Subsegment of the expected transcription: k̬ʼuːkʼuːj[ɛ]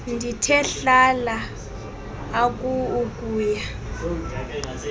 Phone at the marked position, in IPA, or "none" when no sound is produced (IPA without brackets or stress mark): a